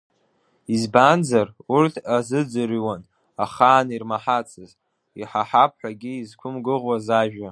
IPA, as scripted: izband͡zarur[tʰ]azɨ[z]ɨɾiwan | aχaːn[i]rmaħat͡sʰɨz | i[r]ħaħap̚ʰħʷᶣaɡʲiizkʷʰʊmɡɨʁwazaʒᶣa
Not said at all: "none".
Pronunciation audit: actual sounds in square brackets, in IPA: tʰ, d͡z, i, none

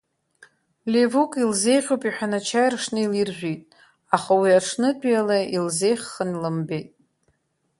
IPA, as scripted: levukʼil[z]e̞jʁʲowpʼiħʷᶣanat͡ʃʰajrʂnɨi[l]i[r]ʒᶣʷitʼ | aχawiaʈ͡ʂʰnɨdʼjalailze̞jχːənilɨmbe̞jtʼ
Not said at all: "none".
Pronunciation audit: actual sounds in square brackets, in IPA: z, l, r

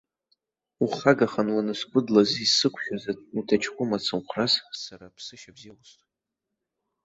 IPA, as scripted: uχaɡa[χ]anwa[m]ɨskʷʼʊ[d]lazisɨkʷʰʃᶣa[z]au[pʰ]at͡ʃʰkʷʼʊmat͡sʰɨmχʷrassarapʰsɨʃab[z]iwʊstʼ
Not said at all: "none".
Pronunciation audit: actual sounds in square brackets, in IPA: χ, n, d, z, tʰ, z

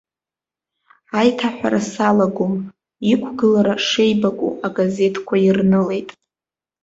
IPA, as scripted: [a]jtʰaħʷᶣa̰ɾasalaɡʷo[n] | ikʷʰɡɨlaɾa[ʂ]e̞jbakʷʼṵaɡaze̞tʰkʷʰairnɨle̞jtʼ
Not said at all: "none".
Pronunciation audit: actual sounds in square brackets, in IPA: a, m, ʂ

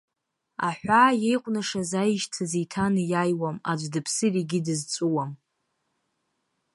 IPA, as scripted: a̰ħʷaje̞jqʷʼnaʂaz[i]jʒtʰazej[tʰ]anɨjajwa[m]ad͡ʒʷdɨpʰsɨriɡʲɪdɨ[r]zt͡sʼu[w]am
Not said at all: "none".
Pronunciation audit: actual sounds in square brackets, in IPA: a, tʰ, m, none, w

